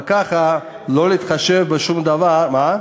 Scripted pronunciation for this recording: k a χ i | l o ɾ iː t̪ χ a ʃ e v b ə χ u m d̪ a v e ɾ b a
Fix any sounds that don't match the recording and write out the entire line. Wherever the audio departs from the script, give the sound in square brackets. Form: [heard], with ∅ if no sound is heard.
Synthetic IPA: k a χ [a] | l o [l] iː t̪ χ a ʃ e v b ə [ʃ] u m d̪ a v [a] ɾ [m] a